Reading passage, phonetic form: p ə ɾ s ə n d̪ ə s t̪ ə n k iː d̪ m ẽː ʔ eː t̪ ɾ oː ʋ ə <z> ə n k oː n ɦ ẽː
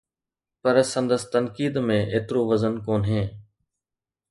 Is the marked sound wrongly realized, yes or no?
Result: no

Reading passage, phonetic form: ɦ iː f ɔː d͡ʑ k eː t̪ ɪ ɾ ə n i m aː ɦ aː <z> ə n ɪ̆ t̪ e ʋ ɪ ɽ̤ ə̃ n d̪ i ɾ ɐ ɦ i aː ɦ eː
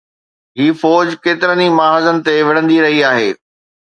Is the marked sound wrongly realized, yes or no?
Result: no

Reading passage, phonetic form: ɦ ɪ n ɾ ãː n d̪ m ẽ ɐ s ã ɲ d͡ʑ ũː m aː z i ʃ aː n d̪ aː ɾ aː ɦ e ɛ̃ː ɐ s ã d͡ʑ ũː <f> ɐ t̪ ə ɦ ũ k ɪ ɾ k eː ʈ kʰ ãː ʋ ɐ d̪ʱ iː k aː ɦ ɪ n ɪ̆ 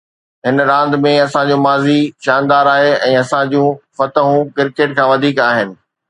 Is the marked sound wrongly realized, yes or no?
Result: no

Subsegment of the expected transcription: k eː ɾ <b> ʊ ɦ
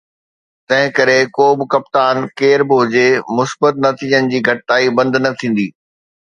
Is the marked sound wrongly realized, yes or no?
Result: no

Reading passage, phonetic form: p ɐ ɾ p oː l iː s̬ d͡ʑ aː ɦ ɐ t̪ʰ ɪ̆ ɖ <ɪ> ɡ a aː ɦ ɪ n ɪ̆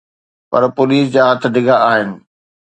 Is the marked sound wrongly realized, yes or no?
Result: no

